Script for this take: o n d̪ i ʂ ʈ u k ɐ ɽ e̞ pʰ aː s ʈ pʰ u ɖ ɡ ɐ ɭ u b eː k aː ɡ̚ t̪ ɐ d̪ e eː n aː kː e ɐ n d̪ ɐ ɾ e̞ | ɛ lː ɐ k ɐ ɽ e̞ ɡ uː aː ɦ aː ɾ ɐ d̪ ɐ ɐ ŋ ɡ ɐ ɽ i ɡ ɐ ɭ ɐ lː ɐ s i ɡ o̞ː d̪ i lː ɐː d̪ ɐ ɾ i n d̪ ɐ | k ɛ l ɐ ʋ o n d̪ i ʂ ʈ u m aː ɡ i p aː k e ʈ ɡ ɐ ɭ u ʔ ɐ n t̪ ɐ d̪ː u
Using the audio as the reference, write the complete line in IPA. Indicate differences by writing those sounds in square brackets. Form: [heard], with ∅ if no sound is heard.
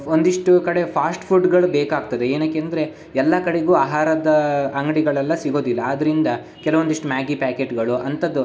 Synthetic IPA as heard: o n d̪ i ʂ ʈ u k ɐ ɽ e̞ pʰ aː s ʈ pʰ u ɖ ɡ ɐ ɭ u b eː k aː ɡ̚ t̪ ɐ d̪ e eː n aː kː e ɐ n d̪ ɐ ɾ e̞ | ɛ lː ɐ k ɐ ɽ e̞ ɡ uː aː ɦ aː ɾ ɐ d̪ ɐ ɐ ŋ ɡ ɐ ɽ i ɡ ɐ ɭ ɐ lː ɐ s i ɡ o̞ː d̪ i lː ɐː d̪ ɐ ɾ i n d̪ ɐ | k ɛ l ɐ ʋ o n d̪ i ʂ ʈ u m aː ɡ i p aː k e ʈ ɡ ɐ ɭ u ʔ ɐ n t̪ ɐ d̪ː u